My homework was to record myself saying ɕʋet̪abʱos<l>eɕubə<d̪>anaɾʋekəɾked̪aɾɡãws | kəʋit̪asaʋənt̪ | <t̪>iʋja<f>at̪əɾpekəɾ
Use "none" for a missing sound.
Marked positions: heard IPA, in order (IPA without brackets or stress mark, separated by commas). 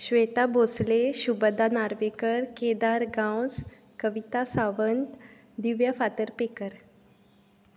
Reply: l, d̪, d̪, f